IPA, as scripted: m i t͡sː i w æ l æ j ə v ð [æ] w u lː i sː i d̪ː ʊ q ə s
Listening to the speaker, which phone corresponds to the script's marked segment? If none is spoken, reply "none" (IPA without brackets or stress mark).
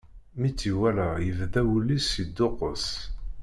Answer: æ